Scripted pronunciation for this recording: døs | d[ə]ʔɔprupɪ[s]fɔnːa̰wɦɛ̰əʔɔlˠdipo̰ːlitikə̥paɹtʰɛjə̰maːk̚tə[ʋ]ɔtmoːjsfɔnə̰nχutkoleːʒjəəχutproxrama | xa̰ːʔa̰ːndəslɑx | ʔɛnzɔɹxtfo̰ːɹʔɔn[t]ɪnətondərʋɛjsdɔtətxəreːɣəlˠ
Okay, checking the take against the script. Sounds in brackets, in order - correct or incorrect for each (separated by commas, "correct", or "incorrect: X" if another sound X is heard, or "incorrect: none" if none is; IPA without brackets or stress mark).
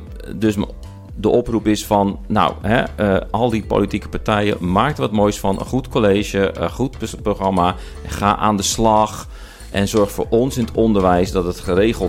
correct, correct, correct, incorrect: s